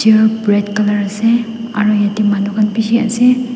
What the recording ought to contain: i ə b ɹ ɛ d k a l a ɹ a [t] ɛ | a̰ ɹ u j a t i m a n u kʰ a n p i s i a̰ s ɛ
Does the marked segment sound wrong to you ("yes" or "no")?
yes